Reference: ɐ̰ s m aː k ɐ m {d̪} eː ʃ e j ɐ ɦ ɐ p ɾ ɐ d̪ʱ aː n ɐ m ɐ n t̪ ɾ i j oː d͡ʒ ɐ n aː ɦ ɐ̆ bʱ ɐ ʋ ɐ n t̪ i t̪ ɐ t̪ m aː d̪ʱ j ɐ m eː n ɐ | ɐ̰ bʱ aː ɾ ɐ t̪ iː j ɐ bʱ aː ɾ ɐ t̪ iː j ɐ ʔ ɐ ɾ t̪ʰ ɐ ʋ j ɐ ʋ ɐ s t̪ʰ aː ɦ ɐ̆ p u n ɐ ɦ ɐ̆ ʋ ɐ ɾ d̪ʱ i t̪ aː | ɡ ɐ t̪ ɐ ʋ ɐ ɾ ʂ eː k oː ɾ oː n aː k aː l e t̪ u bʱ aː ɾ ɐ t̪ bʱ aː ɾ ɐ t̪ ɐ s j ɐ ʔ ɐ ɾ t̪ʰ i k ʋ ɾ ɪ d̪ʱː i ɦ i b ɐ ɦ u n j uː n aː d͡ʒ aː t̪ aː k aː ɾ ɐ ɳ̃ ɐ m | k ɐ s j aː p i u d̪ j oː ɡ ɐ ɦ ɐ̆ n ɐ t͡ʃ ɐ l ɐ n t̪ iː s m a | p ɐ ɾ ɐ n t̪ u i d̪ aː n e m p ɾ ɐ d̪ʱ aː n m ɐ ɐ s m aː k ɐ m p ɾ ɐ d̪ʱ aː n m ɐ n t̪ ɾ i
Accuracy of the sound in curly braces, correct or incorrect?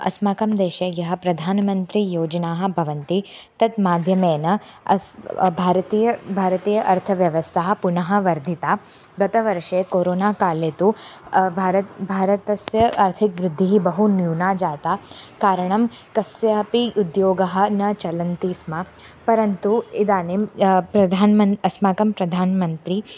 correct